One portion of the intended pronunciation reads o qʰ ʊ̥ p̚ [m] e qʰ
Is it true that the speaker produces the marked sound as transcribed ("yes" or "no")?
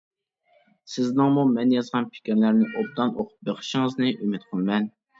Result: no